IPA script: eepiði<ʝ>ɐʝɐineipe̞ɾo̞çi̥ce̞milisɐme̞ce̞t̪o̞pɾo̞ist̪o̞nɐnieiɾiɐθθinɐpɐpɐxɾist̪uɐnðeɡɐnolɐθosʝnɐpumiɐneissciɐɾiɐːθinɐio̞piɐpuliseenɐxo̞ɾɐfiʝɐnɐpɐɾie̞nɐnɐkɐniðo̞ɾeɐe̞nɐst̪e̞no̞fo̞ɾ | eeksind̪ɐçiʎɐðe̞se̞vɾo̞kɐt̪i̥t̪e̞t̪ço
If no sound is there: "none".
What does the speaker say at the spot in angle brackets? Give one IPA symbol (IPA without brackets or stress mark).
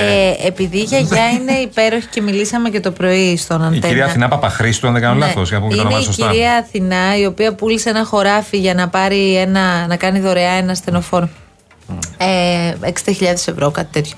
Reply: ʝ